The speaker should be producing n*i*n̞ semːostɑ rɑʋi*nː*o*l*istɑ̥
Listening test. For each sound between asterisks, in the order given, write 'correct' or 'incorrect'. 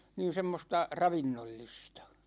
incorrect: iː, correct, incorrect: lː

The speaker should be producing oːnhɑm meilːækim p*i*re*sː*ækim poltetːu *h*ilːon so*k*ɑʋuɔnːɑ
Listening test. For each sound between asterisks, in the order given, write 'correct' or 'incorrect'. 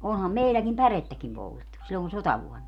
incorrect: æ, incorrect: tː, incorrect: s, incorrect: t

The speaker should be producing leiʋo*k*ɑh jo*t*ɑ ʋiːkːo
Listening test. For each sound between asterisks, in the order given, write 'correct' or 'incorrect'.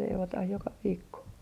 incorrect: t, incorrect: k

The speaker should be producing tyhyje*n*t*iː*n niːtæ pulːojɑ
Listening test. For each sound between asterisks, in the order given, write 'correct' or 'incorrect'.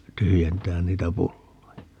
correct, incorrect: æː

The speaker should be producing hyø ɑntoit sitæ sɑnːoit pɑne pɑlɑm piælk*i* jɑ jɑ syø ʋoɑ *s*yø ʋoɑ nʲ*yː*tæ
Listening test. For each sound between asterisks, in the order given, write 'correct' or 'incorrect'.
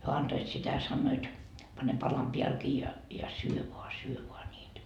incorrect: iː, correct, incorrect: iː

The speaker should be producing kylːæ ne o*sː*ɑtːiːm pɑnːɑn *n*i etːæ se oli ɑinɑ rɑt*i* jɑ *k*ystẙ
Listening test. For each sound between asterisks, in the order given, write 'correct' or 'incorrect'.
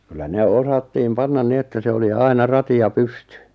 incorrect: s, correct, correct, incorrect: p

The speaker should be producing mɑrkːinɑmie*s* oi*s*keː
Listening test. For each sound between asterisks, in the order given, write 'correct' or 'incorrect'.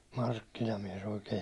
correct, incorrect: none

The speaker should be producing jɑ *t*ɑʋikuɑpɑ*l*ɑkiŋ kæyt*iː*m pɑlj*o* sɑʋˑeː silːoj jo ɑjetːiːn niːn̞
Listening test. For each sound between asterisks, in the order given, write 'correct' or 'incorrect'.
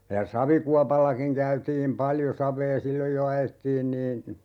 incorrect: s, incorrect: lː, correct, correct

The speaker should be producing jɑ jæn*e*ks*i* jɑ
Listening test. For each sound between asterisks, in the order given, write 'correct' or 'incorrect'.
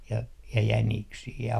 incorrect: i, incorrect: iː

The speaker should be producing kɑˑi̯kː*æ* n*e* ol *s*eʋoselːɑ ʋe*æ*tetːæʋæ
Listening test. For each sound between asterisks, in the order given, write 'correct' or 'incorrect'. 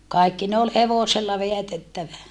incorrect: i, correct, incorrect: h, correct

